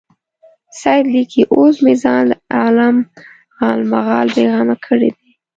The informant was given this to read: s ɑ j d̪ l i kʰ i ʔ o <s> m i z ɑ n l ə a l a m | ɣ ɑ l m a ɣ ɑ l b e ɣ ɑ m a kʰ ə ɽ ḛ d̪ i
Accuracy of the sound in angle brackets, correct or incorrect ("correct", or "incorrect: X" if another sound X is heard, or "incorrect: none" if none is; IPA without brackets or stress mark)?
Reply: correct